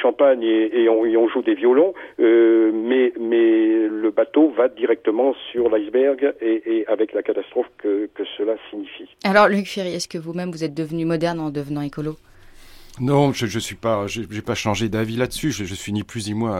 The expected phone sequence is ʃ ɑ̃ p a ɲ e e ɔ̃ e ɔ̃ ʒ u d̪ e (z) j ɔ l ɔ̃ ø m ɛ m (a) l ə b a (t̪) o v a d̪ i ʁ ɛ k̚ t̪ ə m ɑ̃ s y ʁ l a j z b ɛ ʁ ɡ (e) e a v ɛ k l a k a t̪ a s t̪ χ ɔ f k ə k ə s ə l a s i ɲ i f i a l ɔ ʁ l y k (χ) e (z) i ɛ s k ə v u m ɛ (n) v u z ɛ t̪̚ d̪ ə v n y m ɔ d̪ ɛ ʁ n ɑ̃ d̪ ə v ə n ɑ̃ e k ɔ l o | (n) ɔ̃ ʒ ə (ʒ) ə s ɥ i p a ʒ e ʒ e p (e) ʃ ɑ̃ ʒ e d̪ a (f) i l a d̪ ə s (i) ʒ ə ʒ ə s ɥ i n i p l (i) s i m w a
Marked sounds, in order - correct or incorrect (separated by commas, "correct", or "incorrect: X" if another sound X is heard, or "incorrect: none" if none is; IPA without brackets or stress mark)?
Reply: incorrect: v, incorrect: ɛ, correct, correct, incorrect: f, incorrect: ʁ, incorrect: m, correct, correct, incorrect: a, incorrect: v, incorrect: y, incorrect: y